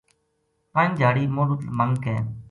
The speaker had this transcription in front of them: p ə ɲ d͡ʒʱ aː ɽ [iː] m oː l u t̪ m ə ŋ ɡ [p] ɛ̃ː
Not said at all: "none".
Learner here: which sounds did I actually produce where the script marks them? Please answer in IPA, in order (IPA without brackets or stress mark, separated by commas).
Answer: iː, k